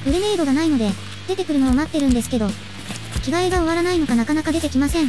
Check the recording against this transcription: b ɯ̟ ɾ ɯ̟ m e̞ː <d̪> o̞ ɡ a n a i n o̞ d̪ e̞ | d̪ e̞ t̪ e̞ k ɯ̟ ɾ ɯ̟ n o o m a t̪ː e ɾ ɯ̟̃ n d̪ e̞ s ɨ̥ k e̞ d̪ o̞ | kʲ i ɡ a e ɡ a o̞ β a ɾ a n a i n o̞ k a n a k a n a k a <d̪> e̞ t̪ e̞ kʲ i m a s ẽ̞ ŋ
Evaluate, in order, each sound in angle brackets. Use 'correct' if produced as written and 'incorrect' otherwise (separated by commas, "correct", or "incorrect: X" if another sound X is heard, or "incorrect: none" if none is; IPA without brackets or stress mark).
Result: correct, correct